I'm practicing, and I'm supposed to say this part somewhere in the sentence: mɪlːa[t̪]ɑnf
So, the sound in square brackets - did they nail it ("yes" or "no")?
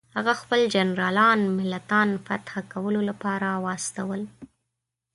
yes